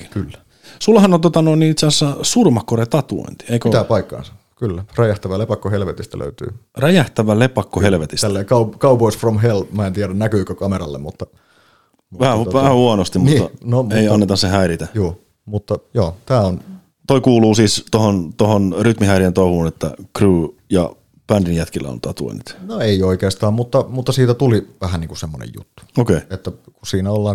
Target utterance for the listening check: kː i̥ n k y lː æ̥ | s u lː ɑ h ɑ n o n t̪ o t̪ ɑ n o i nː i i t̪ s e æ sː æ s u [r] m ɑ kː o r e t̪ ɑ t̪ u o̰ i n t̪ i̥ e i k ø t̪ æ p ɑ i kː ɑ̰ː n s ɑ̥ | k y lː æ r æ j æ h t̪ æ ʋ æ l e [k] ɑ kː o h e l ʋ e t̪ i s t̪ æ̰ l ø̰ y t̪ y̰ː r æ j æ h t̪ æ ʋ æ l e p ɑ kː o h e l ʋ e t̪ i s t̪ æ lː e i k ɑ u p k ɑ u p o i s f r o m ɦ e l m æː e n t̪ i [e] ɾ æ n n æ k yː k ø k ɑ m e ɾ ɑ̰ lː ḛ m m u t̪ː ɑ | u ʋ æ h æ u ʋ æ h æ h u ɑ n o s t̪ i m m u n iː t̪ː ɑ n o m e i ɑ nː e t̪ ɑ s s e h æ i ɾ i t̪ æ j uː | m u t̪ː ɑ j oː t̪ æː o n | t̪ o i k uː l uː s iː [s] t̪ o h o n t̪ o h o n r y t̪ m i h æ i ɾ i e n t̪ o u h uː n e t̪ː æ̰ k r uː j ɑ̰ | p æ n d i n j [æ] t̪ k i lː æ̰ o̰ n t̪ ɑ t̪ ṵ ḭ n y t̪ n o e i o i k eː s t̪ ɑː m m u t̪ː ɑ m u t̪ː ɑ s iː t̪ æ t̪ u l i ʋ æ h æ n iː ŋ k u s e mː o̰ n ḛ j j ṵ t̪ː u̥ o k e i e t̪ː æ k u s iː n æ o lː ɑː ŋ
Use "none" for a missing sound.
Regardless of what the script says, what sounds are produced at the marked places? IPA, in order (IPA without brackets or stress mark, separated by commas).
r, p, æ, s, æ